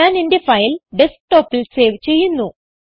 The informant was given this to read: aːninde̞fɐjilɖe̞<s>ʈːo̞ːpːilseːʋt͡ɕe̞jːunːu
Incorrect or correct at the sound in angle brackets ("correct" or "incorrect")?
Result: correct